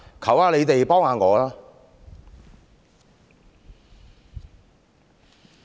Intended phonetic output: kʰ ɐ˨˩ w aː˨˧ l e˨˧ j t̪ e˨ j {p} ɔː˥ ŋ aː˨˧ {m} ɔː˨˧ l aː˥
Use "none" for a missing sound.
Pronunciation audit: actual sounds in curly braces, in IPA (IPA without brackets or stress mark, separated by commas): p, ŋ